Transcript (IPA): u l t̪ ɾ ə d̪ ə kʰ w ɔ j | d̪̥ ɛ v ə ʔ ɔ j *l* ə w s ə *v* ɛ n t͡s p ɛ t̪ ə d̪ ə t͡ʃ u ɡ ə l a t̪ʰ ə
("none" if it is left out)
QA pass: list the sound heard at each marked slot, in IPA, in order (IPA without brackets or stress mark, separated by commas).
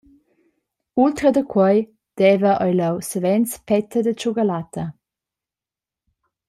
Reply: l, v